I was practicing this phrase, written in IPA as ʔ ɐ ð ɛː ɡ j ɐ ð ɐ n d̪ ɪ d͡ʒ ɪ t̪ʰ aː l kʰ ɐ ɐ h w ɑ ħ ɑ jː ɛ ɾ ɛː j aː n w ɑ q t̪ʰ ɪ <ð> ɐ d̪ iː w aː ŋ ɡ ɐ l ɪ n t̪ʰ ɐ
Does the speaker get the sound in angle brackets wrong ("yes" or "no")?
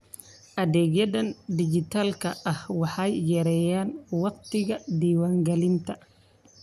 yes